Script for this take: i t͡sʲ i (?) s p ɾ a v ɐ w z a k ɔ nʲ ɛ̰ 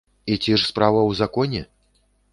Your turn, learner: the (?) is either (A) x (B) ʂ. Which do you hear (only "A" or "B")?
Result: B